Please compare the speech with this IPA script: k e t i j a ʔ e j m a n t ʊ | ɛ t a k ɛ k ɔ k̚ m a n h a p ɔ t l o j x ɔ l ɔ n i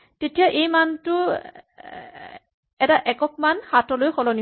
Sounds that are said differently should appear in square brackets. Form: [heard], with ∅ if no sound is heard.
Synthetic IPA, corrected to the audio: [t] e t i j a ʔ e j m a n t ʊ | ɛ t a [ʔ] ɛ k ɔ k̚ m a n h a [t] ɔ [∅] l o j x ɔ l ɔ n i

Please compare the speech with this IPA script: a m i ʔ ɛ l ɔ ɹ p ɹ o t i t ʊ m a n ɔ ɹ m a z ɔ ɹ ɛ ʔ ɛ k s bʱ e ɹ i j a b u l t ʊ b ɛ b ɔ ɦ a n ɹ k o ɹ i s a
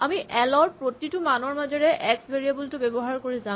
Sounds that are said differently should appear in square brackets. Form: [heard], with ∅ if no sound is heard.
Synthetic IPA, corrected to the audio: a m i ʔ ɛ l ɔ ɹ p ɹ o t i t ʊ m a n ɔ ɹ m a z ɔ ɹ ɛ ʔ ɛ k s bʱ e ɹ i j a b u l t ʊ b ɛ b ɔ ɦ a [∅] ɹ k o ɹ i [z] a

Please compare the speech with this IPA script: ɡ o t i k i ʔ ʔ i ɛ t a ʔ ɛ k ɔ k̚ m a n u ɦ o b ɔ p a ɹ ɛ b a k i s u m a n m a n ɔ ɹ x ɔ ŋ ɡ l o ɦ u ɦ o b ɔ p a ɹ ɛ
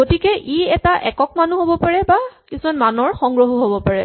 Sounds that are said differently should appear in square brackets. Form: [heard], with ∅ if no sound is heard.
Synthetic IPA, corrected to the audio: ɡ o t i k [ɛ] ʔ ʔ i ɛ t a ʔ ɛ k ɔ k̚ m a n u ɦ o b ɔ p a ɹ ɛ b a k i s u m a n m a n ɔ ɹ x ɔ ŋ ɡ [ɹ] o ɦ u ɦ o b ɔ p a ɹ ɛ

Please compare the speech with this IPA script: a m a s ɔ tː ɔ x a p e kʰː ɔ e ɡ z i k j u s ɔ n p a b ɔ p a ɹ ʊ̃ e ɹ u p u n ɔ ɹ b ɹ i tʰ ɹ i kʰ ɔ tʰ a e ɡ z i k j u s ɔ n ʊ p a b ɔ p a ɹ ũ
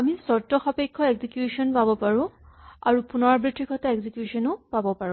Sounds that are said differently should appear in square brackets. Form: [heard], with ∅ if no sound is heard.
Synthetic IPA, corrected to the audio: a m [i] s ɔ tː ɔ x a p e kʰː ɔ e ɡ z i k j u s ɔ n p a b ɔ p a ɹ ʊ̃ [a] ɹ u p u n ɔ ɹ b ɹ i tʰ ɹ i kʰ ɔ [t] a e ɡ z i k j u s ɔ n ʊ p a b ɔ p a ɹ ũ

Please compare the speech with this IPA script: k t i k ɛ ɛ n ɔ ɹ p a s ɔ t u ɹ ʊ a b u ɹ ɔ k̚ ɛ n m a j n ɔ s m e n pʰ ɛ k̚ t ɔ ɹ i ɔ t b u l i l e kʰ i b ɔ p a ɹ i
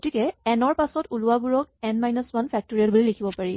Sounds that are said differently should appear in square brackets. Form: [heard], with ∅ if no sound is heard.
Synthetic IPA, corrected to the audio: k t i k ɛ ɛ n ɔ ɹ p a s ɔ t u [l] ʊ a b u ɹ ɔ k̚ ɛ n m a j n ɔ s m [a] n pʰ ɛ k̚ t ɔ ɹ i ɔ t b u l i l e kʰ i b ɔ p a ɹ i

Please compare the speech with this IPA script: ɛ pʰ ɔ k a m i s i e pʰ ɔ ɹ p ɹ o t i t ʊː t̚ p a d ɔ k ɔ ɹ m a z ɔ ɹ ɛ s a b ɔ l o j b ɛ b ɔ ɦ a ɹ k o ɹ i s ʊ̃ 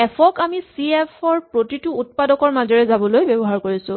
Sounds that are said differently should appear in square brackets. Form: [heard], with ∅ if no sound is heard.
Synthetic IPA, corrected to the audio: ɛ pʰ ɔ k a m i s i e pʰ ɔ ɹ p ɹ o t i t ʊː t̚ p a d ɔ k ɔ ɹ m a z ɔ ɹ ɛ [z] a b ɔ l o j b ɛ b ɔ ɦ a ɹ k o ɹ i s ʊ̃

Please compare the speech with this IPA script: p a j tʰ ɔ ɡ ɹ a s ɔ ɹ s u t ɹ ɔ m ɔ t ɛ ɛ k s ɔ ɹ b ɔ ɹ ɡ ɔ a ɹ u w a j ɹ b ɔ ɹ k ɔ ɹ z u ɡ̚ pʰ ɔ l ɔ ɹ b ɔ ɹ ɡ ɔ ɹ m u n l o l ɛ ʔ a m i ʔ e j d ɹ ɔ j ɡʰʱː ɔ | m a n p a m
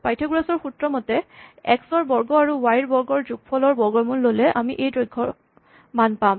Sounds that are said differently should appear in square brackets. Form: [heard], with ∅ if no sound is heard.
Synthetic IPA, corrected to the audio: p a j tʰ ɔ ɡ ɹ a s ɔ ɹ [x] u t ɹ ɔ m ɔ t ɛ ɛ k s ɔ ɹ b ɔ ɹ ɡ ɔ a ɹ u w a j ɹ b ɔ ɹ [ɡ] ɔ ɹ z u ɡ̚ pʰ ɔ l ɔ ɹ b ɔ ɹ ɡ ɔ ɹ m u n l o l ɛ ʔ a m i ʔ e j d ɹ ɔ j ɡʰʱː ɔ | m a n p a m

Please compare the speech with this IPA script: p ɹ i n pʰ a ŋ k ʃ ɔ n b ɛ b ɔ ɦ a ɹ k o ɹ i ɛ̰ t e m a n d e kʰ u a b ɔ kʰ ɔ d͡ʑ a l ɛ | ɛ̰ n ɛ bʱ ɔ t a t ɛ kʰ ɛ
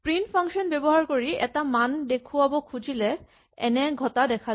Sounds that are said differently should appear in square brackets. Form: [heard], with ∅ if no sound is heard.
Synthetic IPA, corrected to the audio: p ɹ i n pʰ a ŋ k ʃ ɔ n b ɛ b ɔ ɦ a ɹ k o ɹ i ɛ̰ t [a] m a n d e kʰ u a b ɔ kʰ [u] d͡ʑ [i] l ɛ | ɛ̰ n ɛ [ɡʱ] ɔ t a [d] ɛ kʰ [a]

